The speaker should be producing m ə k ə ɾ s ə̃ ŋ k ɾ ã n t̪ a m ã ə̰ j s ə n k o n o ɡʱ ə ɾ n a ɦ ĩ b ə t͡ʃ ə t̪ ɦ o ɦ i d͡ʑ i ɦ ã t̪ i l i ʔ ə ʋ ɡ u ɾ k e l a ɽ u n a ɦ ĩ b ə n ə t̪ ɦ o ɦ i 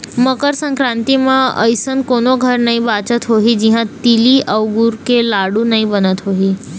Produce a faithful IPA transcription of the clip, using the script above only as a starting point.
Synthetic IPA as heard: m ə k ə ɾ s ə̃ ŋ k ɾ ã n t̪ i m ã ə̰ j s ə n k o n o ɡʱ ə ɾ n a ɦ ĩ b a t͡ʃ ə t̪ ɦ o ɦ i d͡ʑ i ɦ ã t̪ i l i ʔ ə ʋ ɡ u ɾ k e l a ɽ u n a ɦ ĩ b ə n ə t̪ ɦ o ɦ i